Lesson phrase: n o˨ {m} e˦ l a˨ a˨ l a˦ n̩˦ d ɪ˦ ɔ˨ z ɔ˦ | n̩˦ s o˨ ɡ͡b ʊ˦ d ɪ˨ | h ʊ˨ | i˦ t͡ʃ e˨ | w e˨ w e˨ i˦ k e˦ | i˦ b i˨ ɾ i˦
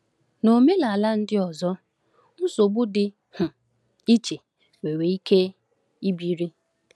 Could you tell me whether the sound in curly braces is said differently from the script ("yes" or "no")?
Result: no